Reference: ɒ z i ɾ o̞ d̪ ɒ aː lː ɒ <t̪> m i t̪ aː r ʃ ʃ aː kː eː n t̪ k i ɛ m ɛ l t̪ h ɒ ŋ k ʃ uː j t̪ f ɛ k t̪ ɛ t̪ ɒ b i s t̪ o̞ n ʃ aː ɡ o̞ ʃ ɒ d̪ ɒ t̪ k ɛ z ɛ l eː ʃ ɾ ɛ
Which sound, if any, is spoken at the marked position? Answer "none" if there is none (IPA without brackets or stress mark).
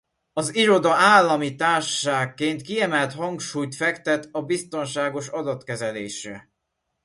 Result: none